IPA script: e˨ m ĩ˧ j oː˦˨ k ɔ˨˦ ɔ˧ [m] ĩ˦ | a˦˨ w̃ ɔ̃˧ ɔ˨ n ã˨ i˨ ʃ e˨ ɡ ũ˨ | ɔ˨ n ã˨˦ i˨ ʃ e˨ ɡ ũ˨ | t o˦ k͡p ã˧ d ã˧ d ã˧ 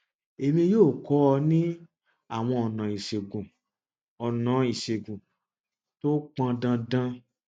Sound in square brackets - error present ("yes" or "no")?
yes